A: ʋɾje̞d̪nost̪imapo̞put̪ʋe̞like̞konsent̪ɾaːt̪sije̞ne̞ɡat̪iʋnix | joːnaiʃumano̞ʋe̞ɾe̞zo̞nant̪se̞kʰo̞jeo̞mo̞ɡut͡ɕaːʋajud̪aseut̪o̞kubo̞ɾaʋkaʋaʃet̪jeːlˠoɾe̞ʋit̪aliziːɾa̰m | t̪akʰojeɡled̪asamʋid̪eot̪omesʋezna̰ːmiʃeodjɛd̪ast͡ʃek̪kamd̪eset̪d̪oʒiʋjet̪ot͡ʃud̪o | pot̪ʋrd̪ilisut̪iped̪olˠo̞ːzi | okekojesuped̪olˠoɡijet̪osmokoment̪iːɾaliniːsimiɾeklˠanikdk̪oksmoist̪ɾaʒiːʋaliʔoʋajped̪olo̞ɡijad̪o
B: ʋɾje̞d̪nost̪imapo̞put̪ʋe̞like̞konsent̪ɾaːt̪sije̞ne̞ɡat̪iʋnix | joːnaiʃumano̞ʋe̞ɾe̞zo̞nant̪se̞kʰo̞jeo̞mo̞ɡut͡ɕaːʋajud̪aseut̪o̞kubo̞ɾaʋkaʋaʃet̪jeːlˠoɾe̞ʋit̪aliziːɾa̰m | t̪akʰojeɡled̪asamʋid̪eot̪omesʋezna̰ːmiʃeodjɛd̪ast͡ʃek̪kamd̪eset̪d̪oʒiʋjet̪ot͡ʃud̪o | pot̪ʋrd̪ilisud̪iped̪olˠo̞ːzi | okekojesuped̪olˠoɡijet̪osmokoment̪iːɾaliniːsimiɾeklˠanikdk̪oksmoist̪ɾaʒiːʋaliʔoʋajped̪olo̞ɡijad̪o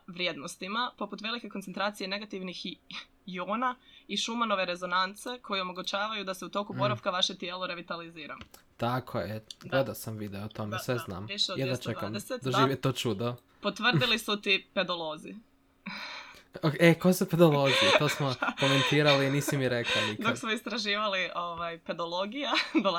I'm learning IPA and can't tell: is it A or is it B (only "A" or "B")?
A